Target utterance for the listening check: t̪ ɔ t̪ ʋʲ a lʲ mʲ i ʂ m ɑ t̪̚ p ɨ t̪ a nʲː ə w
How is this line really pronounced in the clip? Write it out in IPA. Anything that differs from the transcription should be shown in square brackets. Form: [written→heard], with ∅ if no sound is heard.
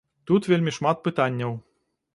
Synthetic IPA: t̪ [ɔ→u] t̪ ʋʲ [a→e] lʲ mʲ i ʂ m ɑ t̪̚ p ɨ t̪ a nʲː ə w